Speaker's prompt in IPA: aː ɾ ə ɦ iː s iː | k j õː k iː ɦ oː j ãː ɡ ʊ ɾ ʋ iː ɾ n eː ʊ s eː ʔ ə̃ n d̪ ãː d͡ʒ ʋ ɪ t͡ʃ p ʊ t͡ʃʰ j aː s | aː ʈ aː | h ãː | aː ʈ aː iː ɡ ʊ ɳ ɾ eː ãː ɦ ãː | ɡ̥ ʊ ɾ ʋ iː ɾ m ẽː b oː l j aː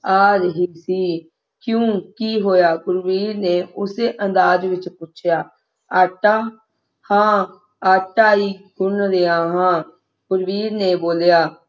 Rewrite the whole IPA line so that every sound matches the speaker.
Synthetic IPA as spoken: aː ɾ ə ɦ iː s iː | k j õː k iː ɦ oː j aː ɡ ʊ ɾ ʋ iː ɾ n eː ʊ s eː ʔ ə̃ n d̪ aː d͡ʒ ʋ ɪ t͡ʃ p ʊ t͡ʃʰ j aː | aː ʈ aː | h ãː | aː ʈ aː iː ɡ ʊ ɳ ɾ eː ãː ɦ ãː | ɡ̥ ʊ ɾ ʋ iː ɾ n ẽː b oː l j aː